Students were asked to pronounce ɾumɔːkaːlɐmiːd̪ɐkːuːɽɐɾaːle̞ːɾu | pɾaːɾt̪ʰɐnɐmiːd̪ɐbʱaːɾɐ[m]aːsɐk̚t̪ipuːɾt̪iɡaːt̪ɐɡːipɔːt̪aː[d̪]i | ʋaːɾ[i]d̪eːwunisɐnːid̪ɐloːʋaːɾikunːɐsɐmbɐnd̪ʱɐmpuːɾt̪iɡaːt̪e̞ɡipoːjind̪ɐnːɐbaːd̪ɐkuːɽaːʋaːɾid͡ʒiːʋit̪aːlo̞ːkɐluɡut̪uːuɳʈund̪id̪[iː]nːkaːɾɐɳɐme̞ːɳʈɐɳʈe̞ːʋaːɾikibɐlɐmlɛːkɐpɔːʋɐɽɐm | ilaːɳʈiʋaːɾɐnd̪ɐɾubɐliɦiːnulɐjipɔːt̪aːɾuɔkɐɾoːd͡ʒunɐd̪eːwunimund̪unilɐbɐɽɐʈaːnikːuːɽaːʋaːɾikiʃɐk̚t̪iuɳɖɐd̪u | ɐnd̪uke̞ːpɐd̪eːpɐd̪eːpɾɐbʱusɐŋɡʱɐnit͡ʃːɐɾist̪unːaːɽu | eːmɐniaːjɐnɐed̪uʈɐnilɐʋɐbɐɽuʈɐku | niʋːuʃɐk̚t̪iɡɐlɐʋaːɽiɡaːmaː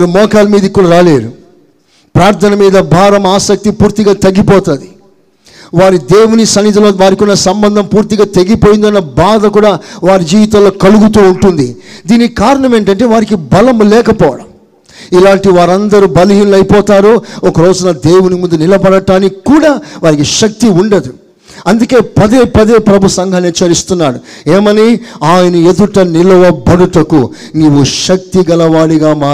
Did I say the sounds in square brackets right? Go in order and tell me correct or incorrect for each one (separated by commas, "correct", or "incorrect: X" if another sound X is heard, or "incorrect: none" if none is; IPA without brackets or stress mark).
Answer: correct, correct, correct, correct